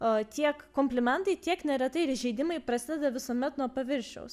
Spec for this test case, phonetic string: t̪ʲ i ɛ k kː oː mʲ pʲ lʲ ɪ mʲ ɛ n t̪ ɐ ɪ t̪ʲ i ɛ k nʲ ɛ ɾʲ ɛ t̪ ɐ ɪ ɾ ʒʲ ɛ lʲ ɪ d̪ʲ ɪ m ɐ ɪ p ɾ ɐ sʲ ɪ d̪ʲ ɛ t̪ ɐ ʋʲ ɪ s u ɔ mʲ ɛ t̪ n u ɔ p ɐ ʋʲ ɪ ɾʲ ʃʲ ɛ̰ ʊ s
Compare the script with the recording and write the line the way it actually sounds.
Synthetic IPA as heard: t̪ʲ i ɛ k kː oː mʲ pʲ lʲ ɪ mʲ ɛ n t̪ ɐ ɪ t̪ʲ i ɛ k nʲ ɛ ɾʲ ɛ t̪ ɐ ɪ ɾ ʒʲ ɛ ɪ d̪ʲ ɪ m ɐ ɪ p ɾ ɐ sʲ ɪ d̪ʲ ɛ d̪ ɐ ʋʲ ɪ s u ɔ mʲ ɛ t̪ n u ɔ p ɐ ʋʲ ɪ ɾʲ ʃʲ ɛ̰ ʊ s